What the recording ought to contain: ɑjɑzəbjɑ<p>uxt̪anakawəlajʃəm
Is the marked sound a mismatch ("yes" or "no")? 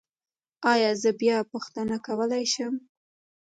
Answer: no